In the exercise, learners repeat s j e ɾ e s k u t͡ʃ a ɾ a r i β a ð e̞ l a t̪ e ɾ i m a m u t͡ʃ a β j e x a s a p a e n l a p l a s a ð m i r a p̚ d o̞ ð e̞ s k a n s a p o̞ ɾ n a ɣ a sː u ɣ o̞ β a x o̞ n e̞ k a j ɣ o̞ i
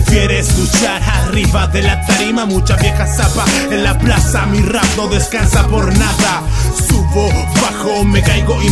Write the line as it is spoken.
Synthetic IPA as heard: f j e ɾ e s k u t͡ʃ a ɾ a r i β a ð e̞ l a t̪ a ɾ i m a m u t͡ʃ a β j e x a s a p a e n l a p l a s a m i r a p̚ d o̞ ð e̞ s k a n s a p o̞ ɾ n a ð a s u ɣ o̞ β a x o̞ m e̞ k a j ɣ o̞ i